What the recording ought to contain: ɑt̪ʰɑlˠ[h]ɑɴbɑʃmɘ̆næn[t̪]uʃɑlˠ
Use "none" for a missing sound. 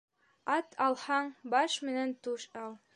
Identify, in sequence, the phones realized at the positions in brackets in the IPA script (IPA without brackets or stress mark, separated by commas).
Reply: h, t̪